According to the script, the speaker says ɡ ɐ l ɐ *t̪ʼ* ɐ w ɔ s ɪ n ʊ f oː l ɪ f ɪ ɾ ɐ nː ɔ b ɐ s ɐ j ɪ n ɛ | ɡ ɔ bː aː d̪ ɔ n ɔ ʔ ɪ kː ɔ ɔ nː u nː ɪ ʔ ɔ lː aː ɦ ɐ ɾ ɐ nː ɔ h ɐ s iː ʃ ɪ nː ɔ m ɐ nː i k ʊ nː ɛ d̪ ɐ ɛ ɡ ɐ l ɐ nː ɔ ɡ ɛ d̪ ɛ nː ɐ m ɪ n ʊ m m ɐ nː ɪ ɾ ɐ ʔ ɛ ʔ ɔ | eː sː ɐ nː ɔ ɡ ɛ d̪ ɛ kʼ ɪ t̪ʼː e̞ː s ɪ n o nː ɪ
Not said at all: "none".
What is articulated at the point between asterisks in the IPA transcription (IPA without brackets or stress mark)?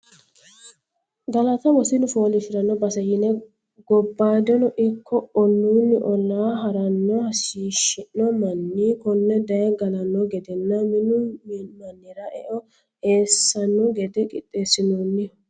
t̪